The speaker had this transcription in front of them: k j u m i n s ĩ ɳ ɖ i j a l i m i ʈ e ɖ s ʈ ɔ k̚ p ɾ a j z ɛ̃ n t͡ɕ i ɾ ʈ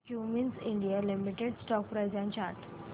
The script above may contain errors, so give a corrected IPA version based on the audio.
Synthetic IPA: k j u m i n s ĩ ɳ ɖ i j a l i m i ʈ e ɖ s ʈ ɔ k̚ p ɾ a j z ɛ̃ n t͡ɕ a ɾ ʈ